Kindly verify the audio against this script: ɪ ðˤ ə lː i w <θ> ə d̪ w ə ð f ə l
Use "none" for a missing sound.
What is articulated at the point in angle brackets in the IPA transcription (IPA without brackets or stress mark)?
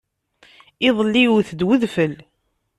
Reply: θ